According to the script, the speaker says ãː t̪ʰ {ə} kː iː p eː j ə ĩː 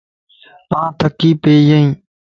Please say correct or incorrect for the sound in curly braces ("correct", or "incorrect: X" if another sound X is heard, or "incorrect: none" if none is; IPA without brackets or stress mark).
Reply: correct